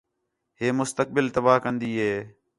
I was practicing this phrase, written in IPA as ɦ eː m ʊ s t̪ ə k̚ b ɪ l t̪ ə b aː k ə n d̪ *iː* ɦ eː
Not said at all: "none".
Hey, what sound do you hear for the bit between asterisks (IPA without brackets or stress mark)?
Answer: iː